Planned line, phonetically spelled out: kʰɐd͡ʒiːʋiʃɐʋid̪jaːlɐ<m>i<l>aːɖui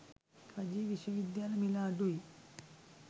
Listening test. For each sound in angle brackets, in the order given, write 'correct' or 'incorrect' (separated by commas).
correct, correct